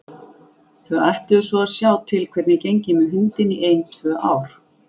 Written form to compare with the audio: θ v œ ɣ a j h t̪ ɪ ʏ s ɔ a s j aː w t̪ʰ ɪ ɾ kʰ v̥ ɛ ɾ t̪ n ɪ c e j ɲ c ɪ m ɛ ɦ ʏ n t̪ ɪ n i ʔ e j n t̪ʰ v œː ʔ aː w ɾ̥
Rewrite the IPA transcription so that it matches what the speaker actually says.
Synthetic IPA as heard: θ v œ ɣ a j h t̪ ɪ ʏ s ɔ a s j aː w t̪ʰ ɪ l kʰ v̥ ɛ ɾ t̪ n ɪ c e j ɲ c ɪ m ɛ ɦ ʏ n t̪ ɪ n i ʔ e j n t̪ʰ v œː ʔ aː w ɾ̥

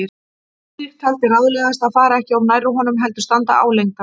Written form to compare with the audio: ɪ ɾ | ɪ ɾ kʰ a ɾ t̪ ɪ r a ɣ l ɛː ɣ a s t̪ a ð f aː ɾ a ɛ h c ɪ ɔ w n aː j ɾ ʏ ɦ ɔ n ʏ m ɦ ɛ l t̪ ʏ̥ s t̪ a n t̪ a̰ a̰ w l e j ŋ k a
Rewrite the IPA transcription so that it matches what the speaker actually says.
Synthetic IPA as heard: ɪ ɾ | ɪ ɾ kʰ a l t̪ ɪ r a ð l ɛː ɣ a s t̪ a ð f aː ɾ a ɛ h c ɪ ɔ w n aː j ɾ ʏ ɦ ɔ n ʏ m ɦ ɛ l t̪ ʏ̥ s t̪ a n t̪ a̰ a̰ w l e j ŋ k a

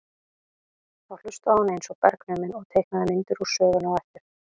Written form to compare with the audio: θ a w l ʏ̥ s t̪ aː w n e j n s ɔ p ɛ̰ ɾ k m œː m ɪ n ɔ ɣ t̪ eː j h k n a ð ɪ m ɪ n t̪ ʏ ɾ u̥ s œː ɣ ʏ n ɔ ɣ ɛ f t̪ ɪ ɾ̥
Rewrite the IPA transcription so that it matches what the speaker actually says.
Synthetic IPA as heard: θ a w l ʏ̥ s t̪ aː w n e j n s ɔ p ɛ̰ ɾ k n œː m ɪ n ɔ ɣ t̪ʰ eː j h k n a ð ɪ m ɪ n t̪ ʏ ɾ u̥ s œː ɣ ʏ n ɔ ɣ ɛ f t̪ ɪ ɾ̥

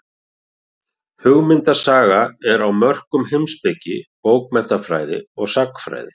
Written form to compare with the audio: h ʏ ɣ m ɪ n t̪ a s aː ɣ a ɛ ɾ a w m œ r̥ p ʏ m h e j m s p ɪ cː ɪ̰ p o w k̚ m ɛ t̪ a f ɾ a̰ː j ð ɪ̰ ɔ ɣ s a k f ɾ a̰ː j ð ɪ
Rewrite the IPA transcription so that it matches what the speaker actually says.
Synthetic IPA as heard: h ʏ ɣ m ɪ n t̪ a s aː ɣ a ɛ ɾ a w m œ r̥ k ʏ m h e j m s p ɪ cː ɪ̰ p o w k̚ m ɛ t̪ a f ɾ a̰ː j ð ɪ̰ ɔ ɣ s a k f ɾ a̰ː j ð ɪ

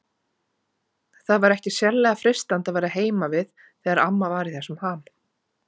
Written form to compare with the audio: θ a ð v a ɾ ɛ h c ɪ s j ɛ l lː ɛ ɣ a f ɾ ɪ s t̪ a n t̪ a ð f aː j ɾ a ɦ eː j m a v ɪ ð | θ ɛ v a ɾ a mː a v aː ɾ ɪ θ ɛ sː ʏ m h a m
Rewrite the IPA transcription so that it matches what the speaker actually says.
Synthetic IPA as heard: θ a ð v a ɾ ɛ h c ɪ s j ɛ l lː ɛ ɣ a f ɾ ɪ s t̪ a n t̪ a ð v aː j ɾ a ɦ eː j m a v ɪ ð | θ ɛ ɣ a ɾ a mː a v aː ɾ ɪ θ ɛ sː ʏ m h a m

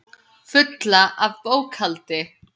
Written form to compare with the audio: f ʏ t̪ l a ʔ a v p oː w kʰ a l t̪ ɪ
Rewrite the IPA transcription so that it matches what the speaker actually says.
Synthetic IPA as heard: f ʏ t̪ l a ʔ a v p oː w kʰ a l t̪ ɪ

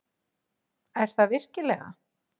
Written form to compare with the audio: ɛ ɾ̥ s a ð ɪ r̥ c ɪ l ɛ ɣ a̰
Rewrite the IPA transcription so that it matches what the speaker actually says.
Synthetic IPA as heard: ɛ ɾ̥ θ a v ɪ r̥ c ɪ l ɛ ɣ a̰

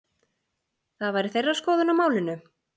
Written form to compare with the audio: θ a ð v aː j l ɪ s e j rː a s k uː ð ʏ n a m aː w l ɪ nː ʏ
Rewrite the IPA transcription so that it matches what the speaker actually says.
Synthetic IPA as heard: θ a ð v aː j ɾ ɪ θ e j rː a s k ɔː ð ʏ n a m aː w l ɪ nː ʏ

